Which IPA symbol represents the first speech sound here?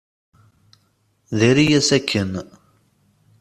ð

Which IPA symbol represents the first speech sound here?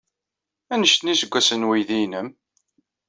æ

